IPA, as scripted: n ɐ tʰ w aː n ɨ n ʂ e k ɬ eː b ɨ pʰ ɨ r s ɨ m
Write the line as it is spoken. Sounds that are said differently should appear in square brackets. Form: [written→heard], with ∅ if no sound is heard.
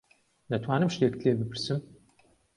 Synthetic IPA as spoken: n ɐ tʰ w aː n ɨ [n→m] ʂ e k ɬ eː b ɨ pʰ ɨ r s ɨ m